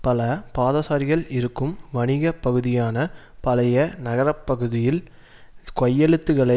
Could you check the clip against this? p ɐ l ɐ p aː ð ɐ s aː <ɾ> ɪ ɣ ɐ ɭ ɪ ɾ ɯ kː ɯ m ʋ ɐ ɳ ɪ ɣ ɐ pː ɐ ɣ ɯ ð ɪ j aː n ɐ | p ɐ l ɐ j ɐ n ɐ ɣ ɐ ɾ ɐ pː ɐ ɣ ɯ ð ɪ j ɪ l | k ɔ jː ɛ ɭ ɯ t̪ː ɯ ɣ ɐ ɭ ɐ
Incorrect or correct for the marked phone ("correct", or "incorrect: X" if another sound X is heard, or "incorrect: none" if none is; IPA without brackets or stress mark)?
correct